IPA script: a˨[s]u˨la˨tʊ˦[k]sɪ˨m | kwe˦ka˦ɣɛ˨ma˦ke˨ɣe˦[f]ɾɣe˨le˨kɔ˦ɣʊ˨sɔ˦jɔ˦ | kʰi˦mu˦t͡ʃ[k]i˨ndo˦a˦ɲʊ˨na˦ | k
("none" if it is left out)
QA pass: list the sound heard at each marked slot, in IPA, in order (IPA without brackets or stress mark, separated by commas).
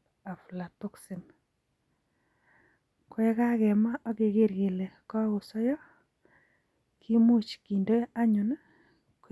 f, k, none, k